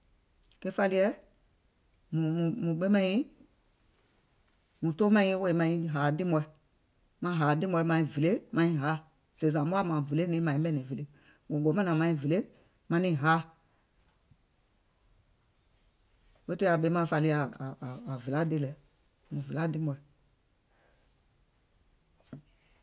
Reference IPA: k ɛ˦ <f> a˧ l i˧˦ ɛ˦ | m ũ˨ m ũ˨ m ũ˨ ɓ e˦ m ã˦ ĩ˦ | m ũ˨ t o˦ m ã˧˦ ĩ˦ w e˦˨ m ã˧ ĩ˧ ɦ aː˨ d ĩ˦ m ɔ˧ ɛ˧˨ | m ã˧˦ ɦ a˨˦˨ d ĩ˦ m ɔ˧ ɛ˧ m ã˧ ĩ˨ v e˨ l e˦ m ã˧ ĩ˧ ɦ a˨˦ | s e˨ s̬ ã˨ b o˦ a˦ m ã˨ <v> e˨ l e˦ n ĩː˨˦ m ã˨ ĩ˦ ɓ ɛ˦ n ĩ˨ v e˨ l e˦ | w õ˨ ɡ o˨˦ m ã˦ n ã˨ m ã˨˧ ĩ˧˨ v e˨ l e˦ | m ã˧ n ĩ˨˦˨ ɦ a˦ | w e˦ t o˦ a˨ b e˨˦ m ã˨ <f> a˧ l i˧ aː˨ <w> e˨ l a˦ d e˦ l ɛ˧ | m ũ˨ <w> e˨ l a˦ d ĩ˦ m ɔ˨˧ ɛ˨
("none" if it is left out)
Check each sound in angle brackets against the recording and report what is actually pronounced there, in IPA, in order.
f, v, f, v, v

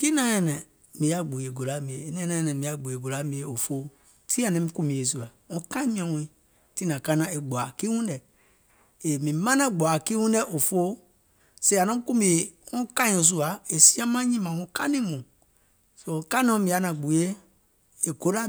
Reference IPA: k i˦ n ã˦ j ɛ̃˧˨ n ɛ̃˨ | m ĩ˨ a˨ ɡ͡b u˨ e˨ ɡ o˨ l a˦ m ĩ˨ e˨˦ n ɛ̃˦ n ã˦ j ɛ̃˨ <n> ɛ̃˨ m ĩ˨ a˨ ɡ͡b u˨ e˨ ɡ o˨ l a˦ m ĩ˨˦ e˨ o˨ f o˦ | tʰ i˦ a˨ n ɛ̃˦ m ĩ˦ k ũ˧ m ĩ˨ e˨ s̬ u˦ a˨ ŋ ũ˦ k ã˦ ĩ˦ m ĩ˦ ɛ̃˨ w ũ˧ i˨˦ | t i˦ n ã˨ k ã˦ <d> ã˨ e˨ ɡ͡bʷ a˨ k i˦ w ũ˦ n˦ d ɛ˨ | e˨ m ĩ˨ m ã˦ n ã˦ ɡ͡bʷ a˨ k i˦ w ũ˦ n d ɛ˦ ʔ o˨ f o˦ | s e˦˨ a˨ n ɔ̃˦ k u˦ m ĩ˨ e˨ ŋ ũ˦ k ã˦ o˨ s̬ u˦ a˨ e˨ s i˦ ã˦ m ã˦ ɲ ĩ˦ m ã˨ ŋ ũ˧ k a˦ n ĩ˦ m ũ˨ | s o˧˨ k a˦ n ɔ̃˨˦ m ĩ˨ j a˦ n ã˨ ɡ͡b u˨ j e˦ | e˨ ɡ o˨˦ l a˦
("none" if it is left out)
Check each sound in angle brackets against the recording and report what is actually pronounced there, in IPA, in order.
n, n

